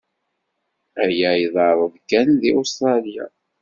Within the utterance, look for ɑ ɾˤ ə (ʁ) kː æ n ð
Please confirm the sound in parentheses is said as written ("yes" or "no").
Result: no